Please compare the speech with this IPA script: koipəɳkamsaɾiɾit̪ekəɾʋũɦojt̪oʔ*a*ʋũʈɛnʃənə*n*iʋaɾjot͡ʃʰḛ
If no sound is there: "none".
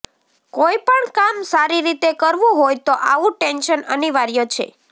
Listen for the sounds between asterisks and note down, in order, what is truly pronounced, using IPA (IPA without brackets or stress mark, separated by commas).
a, n